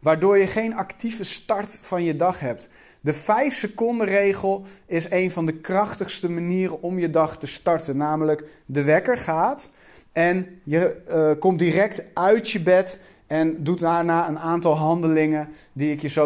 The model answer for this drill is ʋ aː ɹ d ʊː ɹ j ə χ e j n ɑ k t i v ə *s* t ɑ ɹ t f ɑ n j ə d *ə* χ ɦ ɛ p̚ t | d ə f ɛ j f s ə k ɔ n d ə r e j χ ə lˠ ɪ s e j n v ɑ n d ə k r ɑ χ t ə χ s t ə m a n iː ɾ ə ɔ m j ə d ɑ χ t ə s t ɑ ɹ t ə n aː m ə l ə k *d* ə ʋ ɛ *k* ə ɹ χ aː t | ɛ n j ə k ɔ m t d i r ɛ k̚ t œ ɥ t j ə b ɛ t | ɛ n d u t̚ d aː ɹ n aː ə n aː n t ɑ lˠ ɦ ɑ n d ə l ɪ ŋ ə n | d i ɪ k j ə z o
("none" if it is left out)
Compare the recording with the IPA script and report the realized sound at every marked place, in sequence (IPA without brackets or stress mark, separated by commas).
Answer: s, ɑ, d, k